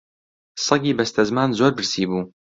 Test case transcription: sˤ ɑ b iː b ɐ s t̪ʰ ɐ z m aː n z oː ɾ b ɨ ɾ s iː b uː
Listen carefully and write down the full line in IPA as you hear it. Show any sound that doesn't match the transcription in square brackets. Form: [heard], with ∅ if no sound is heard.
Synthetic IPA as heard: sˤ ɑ [ɡ] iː b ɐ s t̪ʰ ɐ z m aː n z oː ɾ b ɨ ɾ s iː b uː